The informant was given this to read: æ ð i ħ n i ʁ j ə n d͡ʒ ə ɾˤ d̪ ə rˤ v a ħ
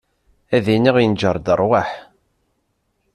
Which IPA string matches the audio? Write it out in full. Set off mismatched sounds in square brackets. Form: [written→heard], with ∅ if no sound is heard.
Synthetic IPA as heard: æ ð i [ħ→∅] n i ʁ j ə n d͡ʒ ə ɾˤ d̪ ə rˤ [v→w] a ħ